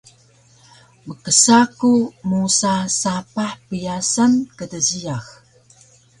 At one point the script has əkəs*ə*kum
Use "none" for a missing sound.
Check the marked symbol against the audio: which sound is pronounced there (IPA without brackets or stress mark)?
a